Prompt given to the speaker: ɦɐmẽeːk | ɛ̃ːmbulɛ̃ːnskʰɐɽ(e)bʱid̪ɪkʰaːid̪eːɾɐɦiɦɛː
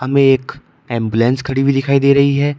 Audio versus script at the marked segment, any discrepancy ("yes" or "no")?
yes